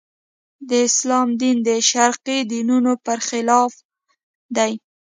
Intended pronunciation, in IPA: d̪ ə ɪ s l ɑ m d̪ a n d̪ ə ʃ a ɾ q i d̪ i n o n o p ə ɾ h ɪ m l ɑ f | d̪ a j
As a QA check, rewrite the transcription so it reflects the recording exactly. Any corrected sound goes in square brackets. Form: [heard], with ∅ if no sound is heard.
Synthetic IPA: d̪ ə ɪ s l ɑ m d̪ [i] n d̪ ə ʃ a ɾ q i d̪ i n [u] n o p ə ɾ [x] ɪ [∅] l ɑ f | d̪ a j